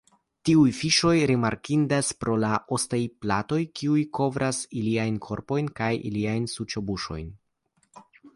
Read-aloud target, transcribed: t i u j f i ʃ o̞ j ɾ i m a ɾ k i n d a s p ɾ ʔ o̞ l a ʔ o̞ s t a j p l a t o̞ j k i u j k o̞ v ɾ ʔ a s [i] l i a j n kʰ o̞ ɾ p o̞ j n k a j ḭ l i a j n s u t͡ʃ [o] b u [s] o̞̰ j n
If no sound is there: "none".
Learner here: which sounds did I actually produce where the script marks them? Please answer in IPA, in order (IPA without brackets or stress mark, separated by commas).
i, o, ʃ